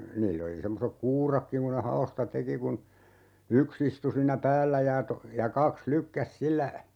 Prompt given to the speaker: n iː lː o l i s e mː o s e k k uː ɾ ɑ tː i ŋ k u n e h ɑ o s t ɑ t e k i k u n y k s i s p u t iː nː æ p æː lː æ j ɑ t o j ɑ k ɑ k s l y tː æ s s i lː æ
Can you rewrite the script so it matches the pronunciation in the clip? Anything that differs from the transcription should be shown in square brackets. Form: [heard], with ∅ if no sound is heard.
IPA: n iː lː o l i s e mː o s e k k uː [r] ɑ [kː] i ŋ k u n e h ɑ o s t ɑ t e k i k u n y k s i s [t] u [s] iː nː æ p æː lː æ j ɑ t o j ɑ k ɑ k s l y [kː] æ s s i lː æ